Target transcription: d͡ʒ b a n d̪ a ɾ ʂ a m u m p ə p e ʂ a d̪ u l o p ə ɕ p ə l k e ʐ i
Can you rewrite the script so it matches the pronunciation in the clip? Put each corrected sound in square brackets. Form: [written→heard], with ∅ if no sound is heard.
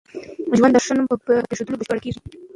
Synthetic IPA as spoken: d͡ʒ [b→w] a n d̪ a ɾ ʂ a [m→n] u m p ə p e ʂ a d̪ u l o [p→b] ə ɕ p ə [l→ɽ] k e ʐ i